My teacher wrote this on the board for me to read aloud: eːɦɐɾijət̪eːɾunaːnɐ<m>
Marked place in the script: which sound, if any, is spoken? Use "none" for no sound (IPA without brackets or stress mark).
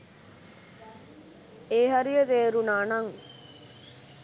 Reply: ŋ